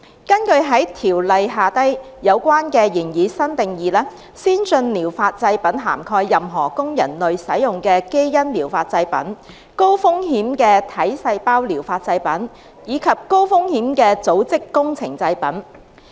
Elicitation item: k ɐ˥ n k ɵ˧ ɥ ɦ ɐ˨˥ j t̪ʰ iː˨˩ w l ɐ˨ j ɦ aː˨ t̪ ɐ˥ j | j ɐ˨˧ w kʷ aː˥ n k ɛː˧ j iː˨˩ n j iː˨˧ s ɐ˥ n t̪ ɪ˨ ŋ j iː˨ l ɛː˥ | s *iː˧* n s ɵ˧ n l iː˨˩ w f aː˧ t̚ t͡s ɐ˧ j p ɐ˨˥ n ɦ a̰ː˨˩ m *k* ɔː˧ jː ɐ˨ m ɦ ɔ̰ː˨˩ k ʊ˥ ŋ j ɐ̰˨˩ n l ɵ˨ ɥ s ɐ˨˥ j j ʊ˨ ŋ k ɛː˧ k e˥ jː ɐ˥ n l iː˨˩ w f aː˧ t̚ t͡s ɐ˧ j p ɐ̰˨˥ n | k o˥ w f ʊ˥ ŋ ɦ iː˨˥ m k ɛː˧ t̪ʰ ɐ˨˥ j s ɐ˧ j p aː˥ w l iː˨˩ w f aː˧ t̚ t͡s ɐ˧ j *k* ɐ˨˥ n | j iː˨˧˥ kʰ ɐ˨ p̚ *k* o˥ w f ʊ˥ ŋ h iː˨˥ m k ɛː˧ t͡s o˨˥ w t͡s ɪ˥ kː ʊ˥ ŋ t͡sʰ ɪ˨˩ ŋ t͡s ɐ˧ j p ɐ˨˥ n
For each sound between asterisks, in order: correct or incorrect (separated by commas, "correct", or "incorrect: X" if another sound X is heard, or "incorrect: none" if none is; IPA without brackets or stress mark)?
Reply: incorrect: iː˥, incorrect: kʰ, incorrect: p, correct